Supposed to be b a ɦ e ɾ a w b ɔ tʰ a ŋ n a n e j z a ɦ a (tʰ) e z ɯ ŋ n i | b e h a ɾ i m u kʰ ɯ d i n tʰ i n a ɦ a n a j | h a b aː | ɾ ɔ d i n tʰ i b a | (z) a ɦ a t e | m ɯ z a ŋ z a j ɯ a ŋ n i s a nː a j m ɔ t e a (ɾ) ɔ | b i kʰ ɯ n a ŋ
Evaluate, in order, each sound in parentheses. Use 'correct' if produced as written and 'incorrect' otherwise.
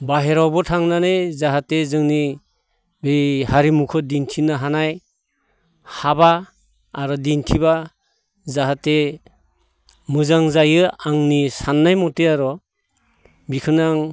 incorrect: t, correct, correct

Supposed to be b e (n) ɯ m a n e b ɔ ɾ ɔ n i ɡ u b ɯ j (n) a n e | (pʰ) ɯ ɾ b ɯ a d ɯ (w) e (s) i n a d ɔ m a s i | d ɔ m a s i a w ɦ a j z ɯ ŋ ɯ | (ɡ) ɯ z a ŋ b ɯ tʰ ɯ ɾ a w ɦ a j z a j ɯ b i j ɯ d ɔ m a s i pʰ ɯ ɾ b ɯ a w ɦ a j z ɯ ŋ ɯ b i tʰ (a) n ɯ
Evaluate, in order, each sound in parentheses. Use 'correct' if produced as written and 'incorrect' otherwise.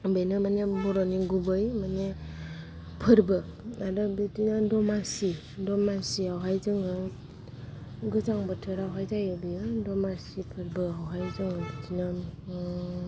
correct, incorrect: m, correct, incorrect: b, incorrect: t, correct, incorrect: i

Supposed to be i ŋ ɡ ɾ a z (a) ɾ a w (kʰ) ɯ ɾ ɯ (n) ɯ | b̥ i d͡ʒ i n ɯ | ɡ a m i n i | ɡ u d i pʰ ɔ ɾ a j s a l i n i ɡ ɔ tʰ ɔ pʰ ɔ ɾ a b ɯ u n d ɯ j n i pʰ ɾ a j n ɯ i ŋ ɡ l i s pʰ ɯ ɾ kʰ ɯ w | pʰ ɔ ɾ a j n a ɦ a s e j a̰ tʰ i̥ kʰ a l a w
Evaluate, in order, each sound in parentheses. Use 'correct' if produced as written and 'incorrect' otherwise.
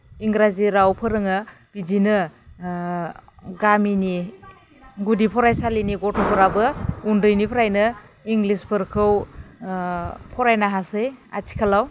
incorrect: i, incorrect: pʰ, incorrect: ŋ

